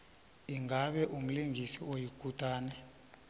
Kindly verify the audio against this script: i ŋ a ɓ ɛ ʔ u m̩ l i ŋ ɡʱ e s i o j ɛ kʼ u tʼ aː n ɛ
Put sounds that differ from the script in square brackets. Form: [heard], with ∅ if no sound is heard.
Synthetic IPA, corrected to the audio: i ŋ a ɓ ɛ ʔ u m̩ l i ŋ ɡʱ [i] s i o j [i] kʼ u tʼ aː n ɛ